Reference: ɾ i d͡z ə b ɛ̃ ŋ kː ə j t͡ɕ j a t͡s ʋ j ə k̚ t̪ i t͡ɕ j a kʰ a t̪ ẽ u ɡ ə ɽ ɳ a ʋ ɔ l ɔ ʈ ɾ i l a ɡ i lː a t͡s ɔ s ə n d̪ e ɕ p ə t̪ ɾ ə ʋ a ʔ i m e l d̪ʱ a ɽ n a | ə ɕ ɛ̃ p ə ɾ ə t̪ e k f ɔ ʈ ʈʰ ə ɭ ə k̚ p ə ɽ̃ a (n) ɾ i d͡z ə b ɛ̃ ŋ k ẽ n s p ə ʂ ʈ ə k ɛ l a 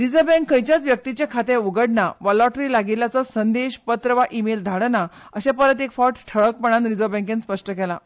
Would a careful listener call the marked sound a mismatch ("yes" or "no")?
no